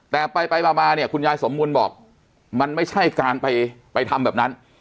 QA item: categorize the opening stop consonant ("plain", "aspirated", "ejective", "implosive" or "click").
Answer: plain